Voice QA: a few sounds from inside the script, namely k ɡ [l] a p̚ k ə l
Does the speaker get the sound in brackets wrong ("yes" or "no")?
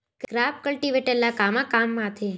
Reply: yes